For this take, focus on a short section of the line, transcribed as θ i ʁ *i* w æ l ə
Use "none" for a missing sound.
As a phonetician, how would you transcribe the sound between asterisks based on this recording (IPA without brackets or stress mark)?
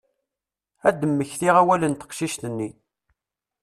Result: æ